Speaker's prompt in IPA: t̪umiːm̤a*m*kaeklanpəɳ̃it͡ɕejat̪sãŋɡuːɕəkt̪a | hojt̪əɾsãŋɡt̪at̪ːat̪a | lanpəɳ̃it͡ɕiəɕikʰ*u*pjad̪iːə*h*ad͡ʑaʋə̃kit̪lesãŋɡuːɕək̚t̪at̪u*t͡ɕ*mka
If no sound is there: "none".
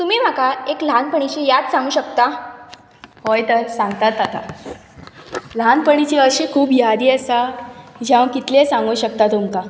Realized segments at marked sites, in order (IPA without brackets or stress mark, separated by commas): none, uː, s, none